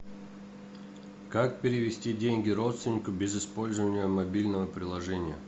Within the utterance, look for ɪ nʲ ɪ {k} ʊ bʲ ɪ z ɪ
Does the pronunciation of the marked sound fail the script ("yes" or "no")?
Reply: no